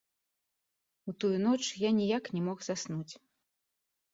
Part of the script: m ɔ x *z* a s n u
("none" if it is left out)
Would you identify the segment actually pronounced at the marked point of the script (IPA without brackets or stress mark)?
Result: z